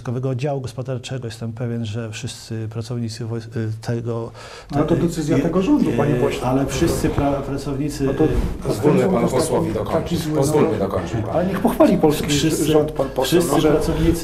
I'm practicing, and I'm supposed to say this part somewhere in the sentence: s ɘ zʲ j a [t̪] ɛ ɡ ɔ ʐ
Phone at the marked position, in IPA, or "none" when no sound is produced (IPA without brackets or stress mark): t̪